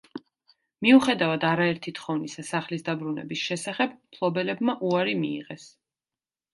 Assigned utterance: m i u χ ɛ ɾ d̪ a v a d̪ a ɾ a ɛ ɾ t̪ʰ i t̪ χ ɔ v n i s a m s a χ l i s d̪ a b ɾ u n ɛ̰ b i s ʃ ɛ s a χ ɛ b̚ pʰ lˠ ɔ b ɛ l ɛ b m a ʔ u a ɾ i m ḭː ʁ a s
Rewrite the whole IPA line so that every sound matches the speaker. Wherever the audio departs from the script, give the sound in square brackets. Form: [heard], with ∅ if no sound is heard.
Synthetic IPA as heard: m i u χ ɛ [∅] d̪ a v a d̪ a ɾ a ɛ ɾ t̪ʰ i t̪ χ ɔ v n i s a [∅] s a χ l i s d̪ a b ɾ u n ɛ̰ b i s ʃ ɛ s a χ ɛ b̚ pʰ lˠ ɔ b ɛ l ɛ b m a ʔ u a ɾ i m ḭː ʁ [ɛ] s

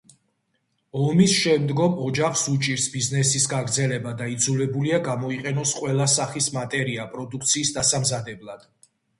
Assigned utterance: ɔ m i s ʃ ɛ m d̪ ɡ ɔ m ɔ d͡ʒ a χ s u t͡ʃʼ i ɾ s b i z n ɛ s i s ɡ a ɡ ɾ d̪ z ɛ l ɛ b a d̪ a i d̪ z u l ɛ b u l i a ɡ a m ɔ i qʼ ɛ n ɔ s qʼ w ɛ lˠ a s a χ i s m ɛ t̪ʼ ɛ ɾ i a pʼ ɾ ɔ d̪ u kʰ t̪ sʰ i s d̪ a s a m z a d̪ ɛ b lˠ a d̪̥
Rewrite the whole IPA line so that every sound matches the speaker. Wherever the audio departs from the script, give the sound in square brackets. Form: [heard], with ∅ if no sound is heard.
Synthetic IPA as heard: ɔ m i s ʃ ɛ m d̪ ɡ ɔ m ɔ d͡ʒ a χ s u t͡ʃʼ i ɾ s b i z n ɛ s i s ɡ a ɡ ɾ d̪ z ɛ l ɛ b a d̪ a i d̪ z u l ɛ b u l i a ɡ a m ɔ i qʼ ɛ n ɔ s qʼ w ɛ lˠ a s a χ i s m [a] t̪ʼ ɛ ɾ i a pʼ ɾ ɔ d̪ u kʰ t̪ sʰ [iː] s d̪ a s a m z a d̪ ɛ b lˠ a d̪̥

